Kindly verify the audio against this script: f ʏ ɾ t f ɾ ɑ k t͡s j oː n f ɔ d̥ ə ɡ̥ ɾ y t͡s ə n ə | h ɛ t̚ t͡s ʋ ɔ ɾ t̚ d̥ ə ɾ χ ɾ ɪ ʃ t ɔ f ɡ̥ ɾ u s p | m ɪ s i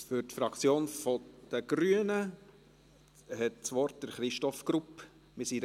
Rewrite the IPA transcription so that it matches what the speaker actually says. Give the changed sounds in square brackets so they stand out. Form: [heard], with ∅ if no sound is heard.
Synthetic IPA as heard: f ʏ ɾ t f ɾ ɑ k t͡s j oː n f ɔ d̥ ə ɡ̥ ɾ y [∅] ə n ə | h ɛ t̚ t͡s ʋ ɔ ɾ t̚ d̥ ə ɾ χ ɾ ɪ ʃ t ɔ f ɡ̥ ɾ u [∅] p | m ɪ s i